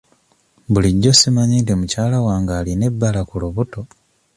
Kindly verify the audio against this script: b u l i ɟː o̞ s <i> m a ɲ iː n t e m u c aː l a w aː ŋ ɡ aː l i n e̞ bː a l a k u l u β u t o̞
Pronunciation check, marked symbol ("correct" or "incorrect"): correct